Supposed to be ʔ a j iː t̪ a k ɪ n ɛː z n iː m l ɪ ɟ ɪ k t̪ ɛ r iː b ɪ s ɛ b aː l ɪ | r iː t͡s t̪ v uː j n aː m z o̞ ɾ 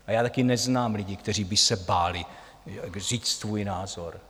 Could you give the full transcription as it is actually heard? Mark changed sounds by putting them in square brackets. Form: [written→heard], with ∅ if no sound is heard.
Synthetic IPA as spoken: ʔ a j [iː→aː] t̪ a k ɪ n [ɛː→ɛ] z n [iː→aː] m l ɪ ɟ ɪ k t̪ ɛ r iː b ɪ s ɛ b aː l ɪ | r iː t͡s t̪ v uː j n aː [m→∅] z o̞ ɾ